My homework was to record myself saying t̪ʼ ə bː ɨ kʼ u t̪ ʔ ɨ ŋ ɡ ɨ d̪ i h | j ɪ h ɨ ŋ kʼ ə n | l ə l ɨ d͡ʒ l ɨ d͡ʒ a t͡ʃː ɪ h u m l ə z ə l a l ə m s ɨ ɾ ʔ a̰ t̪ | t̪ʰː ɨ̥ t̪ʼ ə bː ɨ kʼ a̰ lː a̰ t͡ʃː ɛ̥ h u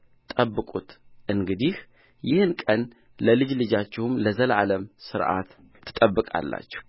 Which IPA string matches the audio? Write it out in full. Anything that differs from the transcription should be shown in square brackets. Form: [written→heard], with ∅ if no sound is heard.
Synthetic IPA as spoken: t̪ʼ ə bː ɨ kʼ u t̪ ʔ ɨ ŋ ɡ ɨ d̪ i h | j ɪ h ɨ [ŋ→n] kʼ ə n | l ə l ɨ d͡ʒ l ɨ d͡ʒ a t͡ʃː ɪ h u m l ə z ə l a l ə m s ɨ ɾ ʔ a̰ t̪ | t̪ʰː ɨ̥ t̪ʼ ə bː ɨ kʼ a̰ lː a̰ t͡ʃː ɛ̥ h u